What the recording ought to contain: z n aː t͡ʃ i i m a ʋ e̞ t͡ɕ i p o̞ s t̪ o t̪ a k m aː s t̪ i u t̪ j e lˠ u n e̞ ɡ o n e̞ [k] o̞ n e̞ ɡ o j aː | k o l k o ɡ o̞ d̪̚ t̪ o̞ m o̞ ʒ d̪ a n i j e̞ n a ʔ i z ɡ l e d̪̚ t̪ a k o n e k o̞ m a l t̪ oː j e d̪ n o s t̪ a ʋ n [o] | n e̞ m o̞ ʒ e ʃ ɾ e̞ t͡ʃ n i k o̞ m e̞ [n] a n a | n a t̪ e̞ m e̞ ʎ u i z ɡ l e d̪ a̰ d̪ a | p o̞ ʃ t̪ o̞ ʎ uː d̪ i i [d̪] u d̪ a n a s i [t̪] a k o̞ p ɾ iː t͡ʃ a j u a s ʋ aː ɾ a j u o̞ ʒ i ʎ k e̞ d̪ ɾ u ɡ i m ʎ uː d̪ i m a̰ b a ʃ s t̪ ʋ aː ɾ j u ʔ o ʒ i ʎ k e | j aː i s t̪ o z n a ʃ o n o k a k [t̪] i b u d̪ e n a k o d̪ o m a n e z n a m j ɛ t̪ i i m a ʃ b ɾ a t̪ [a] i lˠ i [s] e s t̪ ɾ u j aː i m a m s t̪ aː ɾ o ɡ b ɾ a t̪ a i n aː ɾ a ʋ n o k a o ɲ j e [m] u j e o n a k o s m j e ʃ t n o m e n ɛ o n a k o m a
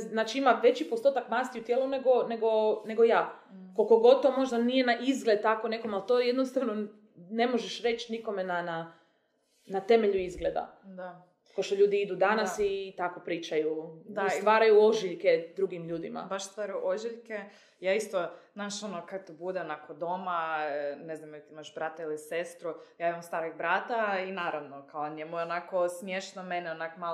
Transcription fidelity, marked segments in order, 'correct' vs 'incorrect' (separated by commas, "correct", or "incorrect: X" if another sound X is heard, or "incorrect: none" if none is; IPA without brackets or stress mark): incorrect: ɡ, correct, correct, correct, correct, correct, correct, correct, correct